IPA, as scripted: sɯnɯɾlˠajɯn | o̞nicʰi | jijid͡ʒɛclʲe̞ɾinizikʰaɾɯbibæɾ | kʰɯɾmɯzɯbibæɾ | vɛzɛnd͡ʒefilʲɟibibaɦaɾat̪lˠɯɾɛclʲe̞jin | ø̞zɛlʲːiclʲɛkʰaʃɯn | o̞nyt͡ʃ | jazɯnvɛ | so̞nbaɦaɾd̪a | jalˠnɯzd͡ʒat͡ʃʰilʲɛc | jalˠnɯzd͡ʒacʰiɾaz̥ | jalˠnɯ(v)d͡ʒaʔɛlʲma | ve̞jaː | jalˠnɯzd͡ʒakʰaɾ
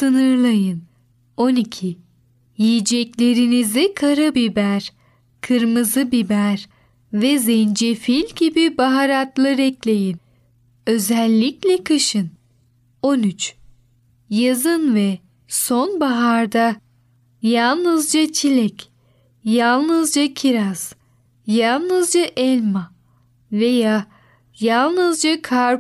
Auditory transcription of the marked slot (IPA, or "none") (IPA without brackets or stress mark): z